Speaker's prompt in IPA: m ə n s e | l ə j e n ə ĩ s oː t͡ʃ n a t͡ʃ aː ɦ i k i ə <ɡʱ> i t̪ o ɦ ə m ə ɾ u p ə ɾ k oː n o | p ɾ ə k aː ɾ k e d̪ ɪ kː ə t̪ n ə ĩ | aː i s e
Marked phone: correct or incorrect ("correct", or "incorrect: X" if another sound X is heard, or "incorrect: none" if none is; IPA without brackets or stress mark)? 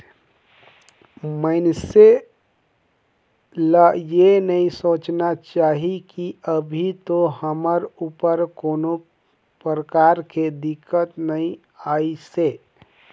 incorrect: bʱ